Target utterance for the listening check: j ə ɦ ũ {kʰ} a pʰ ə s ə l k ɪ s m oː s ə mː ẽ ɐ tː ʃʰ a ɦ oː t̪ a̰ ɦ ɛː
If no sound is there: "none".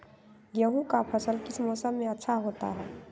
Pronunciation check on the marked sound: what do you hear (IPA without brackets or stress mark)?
k